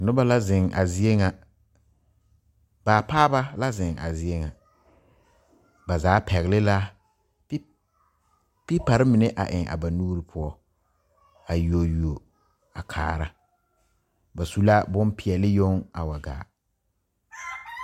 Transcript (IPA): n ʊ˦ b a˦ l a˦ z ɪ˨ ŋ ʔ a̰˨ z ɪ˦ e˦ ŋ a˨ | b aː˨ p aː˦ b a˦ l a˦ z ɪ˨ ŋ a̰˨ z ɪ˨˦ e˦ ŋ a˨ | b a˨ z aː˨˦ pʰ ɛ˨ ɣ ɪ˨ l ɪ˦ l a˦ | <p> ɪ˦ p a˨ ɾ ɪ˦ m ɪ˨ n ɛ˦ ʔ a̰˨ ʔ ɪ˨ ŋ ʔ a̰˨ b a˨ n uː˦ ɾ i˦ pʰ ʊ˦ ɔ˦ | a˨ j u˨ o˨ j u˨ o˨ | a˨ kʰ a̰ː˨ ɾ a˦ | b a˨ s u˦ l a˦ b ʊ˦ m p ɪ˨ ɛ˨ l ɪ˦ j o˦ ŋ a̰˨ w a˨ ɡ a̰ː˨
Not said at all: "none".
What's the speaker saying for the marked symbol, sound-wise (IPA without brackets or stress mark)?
p